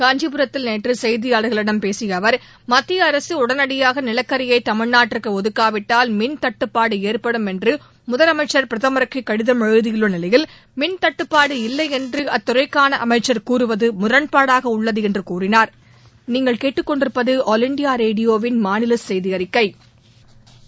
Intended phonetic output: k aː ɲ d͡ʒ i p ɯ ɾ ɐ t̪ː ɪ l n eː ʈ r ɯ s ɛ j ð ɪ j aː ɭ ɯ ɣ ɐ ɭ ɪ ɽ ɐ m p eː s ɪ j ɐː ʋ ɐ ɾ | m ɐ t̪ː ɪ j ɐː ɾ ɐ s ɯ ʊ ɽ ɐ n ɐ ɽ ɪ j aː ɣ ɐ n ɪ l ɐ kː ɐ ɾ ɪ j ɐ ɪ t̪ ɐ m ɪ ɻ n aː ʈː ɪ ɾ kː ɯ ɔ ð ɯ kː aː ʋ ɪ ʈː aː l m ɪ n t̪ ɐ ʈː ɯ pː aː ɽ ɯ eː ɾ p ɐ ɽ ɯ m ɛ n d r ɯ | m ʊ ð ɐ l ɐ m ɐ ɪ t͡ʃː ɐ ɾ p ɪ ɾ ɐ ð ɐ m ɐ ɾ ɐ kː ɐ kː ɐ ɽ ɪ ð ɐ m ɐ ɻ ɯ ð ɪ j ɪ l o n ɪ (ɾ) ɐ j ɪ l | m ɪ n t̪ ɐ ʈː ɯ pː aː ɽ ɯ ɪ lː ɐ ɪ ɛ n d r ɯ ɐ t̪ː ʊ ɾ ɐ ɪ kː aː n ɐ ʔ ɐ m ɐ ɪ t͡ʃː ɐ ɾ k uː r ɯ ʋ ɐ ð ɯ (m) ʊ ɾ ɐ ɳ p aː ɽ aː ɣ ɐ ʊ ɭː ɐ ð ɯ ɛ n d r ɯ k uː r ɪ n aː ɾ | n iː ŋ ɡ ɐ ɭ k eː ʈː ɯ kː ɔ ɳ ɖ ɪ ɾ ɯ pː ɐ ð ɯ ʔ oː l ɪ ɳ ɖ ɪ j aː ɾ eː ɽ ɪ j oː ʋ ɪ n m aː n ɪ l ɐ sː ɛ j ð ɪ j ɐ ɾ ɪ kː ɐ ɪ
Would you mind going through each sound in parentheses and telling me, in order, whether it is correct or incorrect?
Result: incorrect: l, correct

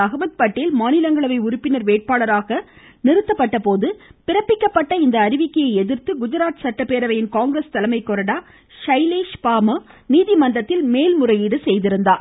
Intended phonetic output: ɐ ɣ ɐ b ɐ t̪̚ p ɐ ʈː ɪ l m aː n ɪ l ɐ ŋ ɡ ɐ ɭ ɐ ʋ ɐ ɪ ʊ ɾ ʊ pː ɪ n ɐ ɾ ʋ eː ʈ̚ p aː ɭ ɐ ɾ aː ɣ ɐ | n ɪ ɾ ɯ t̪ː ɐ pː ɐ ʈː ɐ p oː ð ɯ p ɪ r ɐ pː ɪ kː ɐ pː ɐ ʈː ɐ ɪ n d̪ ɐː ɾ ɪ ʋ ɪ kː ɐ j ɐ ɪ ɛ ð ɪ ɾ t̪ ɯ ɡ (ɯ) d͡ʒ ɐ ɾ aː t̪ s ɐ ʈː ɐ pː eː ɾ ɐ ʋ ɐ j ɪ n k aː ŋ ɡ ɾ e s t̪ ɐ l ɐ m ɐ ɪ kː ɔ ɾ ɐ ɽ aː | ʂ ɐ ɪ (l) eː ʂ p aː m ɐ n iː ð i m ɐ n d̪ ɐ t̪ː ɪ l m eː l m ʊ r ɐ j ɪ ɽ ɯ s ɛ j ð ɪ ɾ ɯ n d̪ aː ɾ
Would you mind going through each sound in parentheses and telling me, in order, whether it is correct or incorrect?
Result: incorrect: ʊ, correct

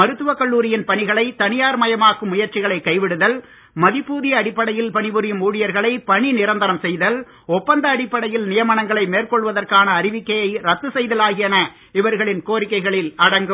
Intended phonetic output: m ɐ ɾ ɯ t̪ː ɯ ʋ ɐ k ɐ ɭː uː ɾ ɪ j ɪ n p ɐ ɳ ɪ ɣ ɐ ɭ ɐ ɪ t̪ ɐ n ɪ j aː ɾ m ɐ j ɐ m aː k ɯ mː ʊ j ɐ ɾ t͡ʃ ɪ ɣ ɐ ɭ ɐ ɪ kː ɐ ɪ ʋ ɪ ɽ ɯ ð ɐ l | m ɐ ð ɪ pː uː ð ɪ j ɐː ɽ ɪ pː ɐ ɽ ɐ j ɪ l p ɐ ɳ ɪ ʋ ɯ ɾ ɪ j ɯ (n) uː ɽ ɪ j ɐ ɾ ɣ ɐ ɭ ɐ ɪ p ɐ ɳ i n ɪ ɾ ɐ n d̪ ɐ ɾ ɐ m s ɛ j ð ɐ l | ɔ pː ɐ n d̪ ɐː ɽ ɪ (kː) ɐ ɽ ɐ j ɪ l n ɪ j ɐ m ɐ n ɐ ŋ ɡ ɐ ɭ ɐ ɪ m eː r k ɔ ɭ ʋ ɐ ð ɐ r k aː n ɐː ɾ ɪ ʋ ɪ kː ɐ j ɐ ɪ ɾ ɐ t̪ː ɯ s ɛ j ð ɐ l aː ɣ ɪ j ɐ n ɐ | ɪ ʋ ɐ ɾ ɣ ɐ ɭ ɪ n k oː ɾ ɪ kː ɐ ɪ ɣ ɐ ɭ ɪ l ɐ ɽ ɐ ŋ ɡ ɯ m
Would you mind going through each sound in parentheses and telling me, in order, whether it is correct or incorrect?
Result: incorrect: m, incorrect: pː

